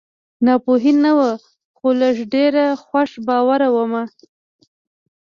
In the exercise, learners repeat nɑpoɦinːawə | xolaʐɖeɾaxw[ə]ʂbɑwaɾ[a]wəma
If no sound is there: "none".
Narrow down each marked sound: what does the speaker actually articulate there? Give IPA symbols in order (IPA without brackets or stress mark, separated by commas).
a, a